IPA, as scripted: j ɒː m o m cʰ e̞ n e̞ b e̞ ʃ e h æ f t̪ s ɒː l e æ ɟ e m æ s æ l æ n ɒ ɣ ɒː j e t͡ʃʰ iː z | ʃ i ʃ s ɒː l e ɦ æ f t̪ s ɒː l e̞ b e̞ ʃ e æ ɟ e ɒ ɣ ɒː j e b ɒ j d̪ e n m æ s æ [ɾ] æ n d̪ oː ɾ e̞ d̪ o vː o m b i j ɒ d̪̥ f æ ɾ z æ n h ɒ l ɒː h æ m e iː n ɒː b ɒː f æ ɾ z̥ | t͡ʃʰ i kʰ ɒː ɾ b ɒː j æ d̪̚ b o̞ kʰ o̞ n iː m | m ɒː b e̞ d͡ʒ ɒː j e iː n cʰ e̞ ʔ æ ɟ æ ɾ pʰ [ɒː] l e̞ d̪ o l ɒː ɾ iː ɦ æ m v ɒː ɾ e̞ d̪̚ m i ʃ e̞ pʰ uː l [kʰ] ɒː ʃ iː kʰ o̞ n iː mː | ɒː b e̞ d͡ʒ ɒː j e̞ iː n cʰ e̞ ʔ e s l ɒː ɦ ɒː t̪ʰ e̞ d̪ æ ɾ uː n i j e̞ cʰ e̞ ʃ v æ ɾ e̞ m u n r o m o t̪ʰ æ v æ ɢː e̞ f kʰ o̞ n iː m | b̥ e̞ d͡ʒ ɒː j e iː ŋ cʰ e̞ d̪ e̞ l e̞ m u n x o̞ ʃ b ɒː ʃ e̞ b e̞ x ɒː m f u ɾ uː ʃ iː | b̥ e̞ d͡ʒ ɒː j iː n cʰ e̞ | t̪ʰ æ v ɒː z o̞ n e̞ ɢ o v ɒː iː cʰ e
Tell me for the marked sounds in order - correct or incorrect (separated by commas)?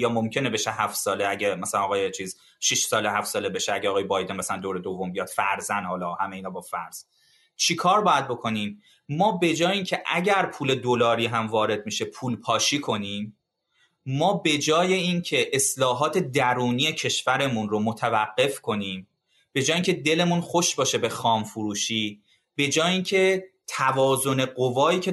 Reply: incorrect, incorrect, incorrect